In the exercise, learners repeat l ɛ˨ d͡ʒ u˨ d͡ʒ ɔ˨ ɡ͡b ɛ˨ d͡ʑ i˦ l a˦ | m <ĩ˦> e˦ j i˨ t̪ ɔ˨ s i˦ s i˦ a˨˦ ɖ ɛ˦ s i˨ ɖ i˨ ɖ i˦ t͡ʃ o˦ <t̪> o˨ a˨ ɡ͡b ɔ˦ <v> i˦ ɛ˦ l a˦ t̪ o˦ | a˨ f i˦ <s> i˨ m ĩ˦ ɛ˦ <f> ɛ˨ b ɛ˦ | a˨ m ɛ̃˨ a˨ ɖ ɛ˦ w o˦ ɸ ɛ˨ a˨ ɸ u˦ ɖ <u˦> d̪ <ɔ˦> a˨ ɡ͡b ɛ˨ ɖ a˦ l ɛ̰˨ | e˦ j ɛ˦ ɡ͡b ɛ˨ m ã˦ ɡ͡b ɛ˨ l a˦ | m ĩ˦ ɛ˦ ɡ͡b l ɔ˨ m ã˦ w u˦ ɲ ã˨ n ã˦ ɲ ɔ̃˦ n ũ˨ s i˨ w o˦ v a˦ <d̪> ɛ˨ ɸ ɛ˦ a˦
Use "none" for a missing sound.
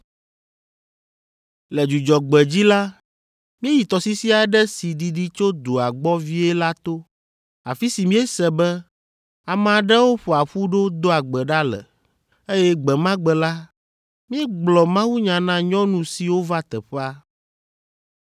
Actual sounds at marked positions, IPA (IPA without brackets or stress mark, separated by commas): ĩ˦, d̪, v, s, s, o˦, o˦, t̪